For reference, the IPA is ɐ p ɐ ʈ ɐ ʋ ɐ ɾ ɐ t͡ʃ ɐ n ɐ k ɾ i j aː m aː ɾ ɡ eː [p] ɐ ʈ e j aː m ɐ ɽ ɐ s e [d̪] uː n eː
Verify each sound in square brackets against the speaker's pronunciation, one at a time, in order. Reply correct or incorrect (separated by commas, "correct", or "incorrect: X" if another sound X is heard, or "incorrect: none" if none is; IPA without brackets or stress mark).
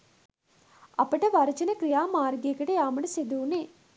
incorrect: k, correct